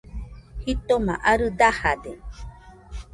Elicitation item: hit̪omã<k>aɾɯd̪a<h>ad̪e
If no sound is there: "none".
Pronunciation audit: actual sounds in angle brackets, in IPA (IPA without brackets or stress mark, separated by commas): ʔ, h